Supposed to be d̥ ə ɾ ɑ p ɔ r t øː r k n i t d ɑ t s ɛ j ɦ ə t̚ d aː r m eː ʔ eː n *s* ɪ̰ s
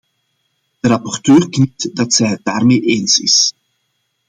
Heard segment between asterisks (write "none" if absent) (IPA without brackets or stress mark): s